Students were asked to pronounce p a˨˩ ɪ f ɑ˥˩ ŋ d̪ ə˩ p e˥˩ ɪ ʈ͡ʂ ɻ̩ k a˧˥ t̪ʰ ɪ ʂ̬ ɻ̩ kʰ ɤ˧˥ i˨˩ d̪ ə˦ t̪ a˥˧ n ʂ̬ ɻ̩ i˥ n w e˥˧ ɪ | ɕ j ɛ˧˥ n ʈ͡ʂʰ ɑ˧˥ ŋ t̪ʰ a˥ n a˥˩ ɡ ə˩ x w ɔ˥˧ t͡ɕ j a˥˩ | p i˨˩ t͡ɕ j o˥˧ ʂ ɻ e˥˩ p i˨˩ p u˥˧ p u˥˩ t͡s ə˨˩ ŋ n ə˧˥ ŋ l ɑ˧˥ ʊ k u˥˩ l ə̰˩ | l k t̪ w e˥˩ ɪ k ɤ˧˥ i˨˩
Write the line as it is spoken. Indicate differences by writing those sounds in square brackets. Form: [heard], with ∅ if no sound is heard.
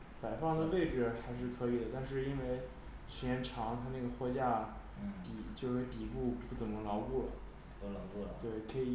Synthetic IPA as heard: p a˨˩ ɪ f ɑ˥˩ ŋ d̪ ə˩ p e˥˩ ɪ ʈ͡ʂ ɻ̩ [x] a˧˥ [∅] ɪ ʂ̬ ɻ̩ kʰ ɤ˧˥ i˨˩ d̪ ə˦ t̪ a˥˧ n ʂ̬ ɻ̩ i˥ n w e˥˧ ɪ | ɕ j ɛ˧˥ n ʈ͡ʂʰ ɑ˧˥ ŋ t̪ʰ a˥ n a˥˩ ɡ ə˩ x w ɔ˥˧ t͡ɕ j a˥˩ | p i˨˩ t͡ɕ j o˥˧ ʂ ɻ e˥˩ p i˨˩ p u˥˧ p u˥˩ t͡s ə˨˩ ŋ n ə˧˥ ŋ l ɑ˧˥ ʊ k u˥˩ l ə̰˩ | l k t̪ w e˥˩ ɪ [kʰ] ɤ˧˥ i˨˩